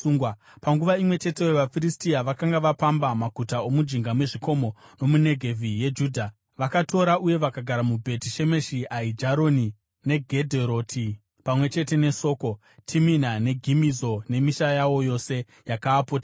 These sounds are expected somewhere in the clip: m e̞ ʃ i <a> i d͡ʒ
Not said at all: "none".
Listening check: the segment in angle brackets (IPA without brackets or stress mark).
a